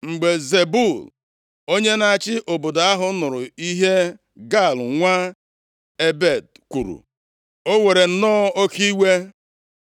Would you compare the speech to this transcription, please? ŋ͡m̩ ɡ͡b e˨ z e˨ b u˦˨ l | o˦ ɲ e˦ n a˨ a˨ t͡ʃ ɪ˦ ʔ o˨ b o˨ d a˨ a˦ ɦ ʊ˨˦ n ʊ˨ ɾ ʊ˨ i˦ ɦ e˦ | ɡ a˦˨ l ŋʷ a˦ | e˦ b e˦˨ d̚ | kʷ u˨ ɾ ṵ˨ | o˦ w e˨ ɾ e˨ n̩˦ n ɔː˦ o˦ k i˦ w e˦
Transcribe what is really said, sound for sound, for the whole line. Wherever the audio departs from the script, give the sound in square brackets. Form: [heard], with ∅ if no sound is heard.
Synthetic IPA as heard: ŋ͡m̩ ɡ͡b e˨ z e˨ b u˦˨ l | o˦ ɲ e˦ n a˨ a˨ t͡ʃ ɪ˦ ʔ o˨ b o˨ d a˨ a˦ ɦ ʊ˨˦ n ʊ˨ ɾ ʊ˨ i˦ ɦ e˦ | ɡ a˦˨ l ŋʷ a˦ | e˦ b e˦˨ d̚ | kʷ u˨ ɾ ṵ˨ | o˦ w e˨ ɾ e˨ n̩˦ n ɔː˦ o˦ k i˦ w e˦

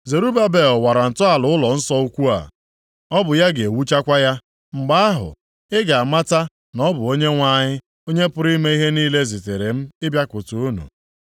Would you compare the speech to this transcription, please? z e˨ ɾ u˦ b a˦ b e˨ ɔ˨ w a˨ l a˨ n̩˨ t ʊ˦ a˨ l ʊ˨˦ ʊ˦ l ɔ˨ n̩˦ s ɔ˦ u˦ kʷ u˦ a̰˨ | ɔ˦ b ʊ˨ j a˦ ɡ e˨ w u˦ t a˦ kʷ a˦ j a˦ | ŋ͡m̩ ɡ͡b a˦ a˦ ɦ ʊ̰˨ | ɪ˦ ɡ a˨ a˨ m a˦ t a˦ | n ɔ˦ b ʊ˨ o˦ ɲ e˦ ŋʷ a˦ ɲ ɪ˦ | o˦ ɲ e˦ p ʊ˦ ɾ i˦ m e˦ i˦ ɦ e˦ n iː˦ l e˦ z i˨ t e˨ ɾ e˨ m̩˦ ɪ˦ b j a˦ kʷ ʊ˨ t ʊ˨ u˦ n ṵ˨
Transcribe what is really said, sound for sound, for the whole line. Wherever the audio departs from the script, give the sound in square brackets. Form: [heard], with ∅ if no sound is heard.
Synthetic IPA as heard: z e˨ ɾ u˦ b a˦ b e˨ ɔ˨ w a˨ [ɾ] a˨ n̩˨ t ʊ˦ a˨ l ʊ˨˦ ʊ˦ l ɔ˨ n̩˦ s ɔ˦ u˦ kʷ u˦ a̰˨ | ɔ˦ b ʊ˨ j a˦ ɡ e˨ w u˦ [t͡ʃ] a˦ kʷ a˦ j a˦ | ŋ͡m̩ ɡ͡b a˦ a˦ ɦ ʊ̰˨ | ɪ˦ ɡ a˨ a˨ m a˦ t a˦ | n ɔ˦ b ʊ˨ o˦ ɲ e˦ ŋʷ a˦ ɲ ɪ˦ | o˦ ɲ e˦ p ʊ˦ ɾ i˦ m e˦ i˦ ɦ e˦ n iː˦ l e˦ z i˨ t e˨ ɾ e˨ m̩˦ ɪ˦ b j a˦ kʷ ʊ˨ t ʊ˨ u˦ n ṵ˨

